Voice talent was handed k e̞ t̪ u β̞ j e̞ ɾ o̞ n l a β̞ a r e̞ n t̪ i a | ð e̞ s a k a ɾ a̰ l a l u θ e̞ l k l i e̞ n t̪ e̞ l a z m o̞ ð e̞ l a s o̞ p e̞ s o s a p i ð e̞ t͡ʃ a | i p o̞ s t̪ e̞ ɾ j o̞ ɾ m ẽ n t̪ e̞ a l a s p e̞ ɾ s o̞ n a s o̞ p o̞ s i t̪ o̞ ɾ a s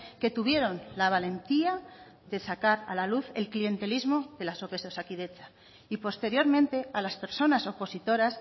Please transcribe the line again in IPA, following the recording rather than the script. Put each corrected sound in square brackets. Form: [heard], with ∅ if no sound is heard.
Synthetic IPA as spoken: k e̞ t̪ u β̞ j e̞ ɾ o̞ n l a β̞ a [l] e̞ n t̪ i a | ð e̞ s a k a ɾ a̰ l a l u θ e̞ l k l i e̞ n t̪ e̞ l [i] z m o̞ ð e̞ l a s o̞ p e̞ s o s a [k] i ð e̞ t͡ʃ a | i p o̞ s t̪ e̞ ɾ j o̞ ɾ m ẽ n t̪ e̞ a l a s p e̞ ɾ s o̞ n a s o̞ p o̞ s i t̪ o̞ ɾ a s

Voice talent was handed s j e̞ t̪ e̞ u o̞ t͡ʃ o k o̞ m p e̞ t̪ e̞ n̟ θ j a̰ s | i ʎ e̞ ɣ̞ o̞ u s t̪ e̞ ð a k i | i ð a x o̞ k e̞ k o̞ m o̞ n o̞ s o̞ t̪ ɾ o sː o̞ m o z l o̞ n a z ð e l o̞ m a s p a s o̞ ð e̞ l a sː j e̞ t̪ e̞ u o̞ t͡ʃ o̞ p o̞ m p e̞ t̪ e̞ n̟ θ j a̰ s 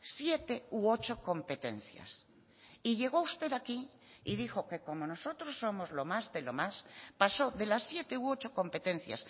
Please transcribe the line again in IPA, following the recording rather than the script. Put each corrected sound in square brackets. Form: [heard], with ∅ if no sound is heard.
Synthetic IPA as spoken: s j e̞ t̪ e̞ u o̞ t͡ʃ o k o̞ m p e̞ t̪ e̞ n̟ θ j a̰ s | i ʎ e̞ ɣ̞ o̞ u s t̪ e̞ ð a k i | i ð [i] x o̞ k e̞ k o̞ m o̞ n o̞ s o̞ t̪ ɾ o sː o̞ m o z l o̞ [m] a z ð e l o̞ m a s p a s o̞ ð e̞ l a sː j e̞ t̪ e̞ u o̞ t͡ʃ o̞ [k] o̞ m p e̞ t̪ e̞ n̟ θ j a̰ s

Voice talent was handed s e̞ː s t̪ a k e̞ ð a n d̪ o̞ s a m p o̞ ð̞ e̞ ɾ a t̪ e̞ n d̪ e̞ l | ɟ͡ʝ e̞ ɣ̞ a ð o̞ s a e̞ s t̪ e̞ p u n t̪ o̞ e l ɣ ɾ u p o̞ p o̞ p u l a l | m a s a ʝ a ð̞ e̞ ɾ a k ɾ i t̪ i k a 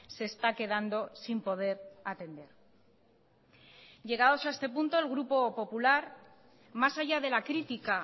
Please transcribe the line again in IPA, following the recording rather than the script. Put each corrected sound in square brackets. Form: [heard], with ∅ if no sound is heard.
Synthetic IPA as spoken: s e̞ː s t̪ a k e̞ ð a n d̪ o̞ s [i] m p o̞ ð̞ e̞ ɾ a t̪ e̞ n d̪ e̞ [ɾ] | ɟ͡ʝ e̞ ɣ̞ a ð o̞ s a e̞ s t̪ e̞ p u n t̪ o̞ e l ɣ ɾ u p o̞ p o̞ p u l a [ɾ] | m a s a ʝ a ð̞ e̞ [l] a k ɾ i t̪ i k a

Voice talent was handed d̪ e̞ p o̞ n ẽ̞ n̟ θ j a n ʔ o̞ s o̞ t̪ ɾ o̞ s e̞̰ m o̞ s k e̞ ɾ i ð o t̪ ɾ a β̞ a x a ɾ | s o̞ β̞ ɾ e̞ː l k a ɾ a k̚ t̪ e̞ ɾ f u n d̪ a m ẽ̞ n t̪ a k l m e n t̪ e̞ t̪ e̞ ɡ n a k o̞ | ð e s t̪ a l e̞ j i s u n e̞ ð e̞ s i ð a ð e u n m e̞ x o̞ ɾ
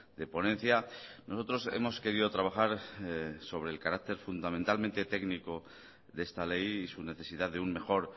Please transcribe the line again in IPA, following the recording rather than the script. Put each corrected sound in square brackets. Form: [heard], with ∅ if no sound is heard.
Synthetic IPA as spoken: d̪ e̞ p o̞ n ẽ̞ n̟ θ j a n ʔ o̞ s o̞ t̪ ɾ o̞ s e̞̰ m o̞ s k e̞ ɾ i ð o t̪ ɾ a β̞ a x a ɾ | s o̞ β̞ ɾ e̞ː l k a ɾ a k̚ t̪ e̞ ɾ f u n d̪ a m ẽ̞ n t̪ a [∅] l m e n t̪ e̞ t̪ e̞ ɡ n [i] k o̞ | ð e s t̪ a l e̞ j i s u n e̞ [θ] e̞ s i ð a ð e u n m e̞ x o̞ ɾ

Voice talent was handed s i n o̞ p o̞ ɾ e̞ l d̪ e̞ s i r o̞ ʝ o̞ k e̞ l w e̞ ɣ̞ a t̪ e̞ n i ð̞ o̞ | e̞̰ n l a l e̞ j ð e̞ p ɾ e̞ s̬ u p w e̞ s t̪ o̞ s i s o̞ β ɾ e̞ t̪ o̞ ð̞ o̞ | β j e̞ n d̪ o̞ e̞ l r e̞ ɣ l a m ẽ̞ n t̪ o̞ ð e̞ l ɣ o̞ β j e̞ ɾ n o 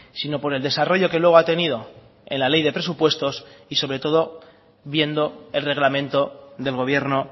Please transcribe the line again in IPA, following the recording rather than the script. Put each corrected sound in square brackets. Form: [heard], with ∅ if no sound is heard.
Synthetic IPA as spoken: s i n o̞ p o̞ ɾ e̞ l d̪ e̞ s [a] r o̞ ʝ o̞ k e̞ l w e̞ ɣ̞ a t̪ e̞ n i ð̞ o̞ | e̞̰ n l a l e̞ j ð e̞ p ɾ e̞ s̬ u p w e̞ s t̪ o̞ s i s o̞ β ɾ e̞ t̪ o̞ ð̞ o̞ | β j e̞ n d̪ o̞ e̞ l r e̞ ɣ l a m ẽ̞ n t̪ o̞ ð e̞ l ɣ o̞ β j e̞ ɾ n o

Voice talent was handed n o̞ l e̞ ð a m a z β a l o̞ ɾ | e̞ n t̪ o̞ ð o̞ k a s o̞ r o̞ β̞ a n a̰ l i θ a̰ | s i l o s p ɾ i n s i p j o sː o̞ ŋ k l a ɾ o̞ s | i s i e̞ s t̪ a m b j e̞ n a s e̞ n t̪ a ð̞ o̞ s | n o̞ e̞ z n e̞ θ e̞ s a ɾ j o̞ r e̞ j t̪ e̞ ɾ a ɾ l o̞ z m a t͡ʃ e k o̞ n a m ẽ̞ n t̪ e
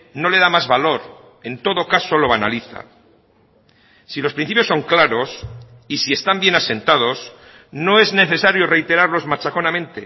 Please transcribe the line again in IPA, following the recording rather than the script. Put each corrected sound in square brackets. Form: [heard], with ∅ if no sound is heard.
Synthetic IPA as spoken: n o̞ l e̞ ð a m a z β a l o̞ ɾ | e̞ n t̪ o̞ ð o̞ k a s o̞ [l] o̞ β̞ a n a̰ l i θ a̰ | s i l o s p ɾ i n [θ] i p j o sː o̞ ŋ k l a ɾ o̞ s | i s i e̞ s t̪ a m b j e̞ n a s e̞ n t̪ a ð̞ o̞ s | n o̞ e̞ z n e̞ θ e̞ s a ɾ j o̞ r e̞ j t̪ e̞ ɾ a ɾ l o̞ z m a t͡ʃ [a] k o̞ n a m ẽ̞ n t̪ e

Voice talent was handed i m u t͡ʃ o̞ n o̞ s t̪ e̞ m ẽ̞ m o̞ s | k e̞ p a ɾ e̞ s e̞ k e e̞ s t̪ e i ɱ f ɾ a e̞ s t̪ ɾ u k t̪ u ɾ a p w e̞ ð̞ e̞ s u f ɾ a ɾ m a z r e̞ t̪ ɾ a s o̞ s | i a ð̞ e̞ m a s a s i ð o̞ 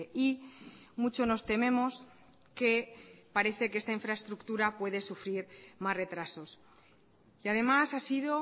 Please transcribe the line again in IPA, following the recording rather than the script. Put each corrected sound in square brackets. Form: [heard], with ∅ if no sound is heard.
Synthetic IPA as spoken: i m u t͡ʃ o̞ n o̞ s t̪ e̞ m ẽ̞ m o̞ s | k e̞ p a ɾ e̞ [θ] e̞ k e e̞ s t̪ [a] i ɱ f ɾ a e̞ s t̪ ɾ u k t̪ u ɾ a p w e̞ ð̞ e̞ s u f ɾ [i] ɾ m a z r e̞ t̪ ɾ a s o̞ s | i a ð̞ e̞ m a s a s i ð o̞

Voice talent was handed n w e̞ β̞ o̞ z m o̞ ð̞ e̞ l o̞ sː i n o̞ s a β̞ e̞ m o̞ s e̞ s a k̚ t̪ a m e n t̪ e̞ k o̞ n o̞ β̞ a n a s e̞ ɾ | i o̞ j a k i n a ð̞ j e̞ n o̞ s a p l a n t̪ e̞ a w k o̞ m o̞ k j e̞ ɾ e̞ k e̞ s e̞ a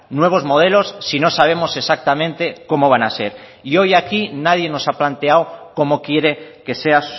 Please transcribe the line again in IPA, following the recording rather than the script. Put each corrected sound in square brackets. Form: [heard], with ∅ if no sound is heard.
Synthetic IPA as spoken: n w e̞ β̞ o̞ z m o̞ ð̞ e̞ l o̞ sː i n o̞ s a β̞ e̞ m o̞ s e̞ s a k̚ t̪ a m [ẽ] n t̪ e̞ k o̞ [m] o̞ β̞ a n a s e̞ ɾ | i o̞ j a k i n a ð̞ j e̞ n o̞ s a p l a n t̪ e̞ a w k o̞ m o̞ k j e̞ ɾ e̞ k e̞ s e̞ a

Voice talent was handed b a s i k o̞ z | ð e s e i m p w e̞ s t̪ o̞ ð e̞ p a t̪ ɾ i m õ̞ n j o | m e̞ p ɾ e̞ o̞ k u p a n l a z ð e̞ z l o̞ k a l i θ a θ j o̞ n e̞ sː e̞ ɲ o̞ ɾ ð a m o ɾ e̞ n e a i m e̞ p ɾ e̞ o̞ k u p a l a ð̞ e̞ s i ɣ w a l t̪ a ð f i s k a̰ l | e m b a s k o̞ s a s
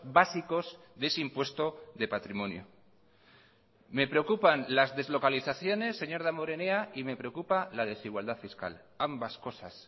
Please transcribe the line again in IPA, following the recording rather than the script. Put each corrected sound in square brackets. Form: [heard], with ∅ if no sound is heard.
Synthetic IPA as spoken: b a s i k o̞ z | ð e s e i m p w e̞ s t̪ o̞ ð e̞ p a t̪ ɾ i m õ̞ n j o | m e̞ p ɾ e̞ o̞ k u p a n l a z ð e̞ z l o̞ k a l i θ a θ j o̞ n e̞ sː e̞ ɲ o̞ ɾ ð a m o ɾ e̞ n e a i m e̞ p ɾ e̞ o̞ k u p a l a ð̞ e̞ s i ɣ w a l [d̪] a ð f i s k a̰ l | [a] m b a s k o̞ s a s

